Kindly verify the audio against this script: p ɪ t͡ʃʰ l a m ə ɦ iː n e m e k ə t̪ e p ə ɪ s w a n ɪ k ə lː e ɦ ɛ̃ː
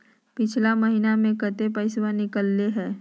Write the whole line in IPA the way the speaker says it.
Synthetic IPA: p ɪ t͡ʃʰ l a m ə ɦ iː n a m ẽ k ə t̪ e p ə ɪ s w a n ɪ k ə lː e ɦ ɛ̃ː